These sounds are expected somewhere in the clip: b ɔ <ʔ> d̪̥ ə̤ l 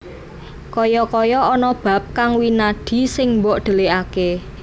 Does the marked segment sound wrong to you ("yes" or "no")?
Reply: no